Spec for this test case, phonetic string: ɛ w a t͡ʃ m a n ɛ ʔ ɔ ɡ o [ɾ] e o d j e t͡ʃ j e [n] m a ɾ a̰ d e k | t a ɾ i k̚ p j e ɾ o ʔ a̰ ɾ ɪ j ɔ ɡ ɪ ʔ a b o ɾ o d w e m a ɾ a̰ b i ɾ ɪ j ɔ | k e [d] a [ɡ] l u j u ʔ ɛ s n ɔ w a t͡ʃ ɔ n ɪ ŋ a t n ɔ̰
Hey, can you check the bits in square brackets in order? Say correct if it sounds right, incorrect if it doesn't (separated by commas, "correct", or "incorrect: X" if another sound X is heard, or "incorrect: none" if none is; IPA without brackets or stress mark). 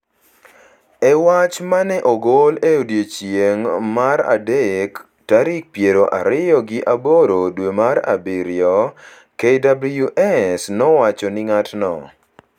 incorrect: l, incorrect: ŋ, correct, incorrect: b